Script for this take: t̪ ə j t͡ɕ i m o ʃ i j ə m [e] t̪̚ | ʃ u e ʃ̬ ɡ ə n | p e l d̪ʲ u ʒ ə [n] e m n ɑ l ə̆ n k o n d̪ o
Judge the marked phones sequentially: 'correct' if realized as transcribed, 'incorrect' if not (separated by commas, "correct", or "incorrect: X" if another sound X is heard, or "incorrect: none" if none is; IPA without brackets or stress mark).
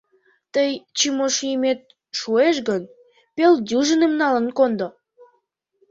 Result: correct, correct